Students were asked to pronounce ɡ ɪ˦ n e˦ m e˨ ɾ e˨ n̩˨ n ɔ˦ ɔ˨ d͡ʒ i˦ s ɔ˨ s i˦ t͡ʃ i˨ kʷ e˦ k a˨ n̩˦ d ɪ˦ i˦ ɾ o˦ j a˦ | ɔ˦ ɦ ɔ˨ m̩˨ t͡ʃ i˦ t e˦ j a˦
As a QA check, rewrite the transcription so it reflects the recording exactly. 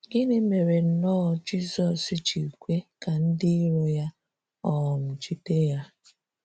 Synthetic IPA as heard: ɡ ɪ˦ n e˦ m e˨ ɾ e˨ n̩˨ n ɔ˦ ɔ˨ d͡ʒ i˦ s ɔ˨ s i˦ t͡ʃ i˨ kʷ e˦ k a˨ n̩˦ d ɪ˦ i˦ ɾ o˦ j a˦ | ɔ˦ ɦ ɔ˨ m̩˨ t͡ʃ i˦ t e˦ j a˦